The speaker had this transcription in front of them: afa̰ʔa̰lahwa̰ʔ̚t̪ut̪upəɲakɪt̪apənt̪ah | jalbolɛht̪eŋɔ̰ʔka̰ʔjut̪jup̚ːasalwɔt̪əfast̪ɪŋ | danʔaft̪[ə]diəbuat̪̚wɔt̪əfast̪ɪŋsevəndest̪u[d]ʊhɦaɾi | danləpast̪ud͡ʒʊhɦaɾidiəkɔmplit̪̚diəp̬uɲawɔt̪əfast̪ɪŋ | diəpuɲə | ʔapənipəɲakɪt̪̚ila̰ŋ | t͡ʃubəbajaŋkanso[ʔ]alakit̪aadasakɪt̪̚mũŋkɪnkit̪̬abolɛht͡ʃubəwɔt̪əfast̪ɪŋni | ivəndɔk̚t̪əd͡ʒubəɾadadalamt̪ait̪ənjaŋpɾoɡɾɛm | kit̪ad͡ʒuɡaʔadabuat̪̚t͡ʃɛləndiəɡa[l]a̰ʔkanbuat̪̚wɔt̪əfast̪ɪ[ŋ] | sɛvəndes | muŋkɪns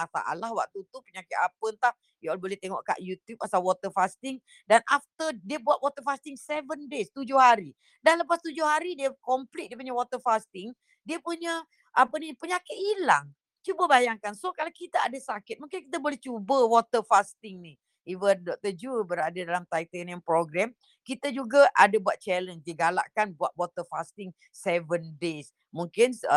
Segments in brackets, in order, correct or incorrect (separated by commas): correct, incorrect, incorrect, correct, correct